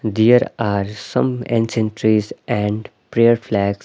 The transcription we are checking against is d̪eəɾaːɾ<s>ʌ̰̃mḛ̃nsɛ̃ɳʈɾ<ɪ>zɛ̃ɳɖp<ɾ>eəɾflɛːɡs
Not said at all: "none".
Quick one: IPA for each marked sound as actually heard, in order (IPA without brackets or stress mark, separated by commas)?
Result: s, i, ɾ